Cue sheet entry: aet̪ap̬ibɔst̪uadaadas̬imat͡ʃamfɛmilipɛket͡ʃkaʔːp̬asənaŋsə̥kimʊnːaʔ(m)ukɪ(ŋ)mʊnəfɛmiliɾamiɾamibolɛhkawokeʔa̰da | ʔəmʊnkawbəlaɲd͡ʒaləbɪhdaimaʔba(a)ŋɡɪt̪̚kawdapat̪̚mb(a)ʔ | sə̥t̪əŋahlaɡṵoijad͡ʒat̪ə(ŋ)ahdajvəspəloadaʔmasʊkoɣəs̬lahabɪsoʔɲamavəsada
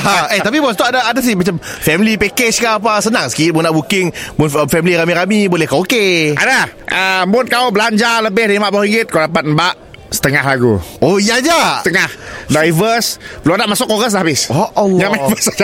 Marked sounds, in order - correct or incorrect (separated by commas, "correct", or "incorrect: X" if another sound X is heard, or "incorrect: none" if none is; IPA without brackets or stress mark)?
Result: incorrect: b, correct, incorrect: i, correct, correct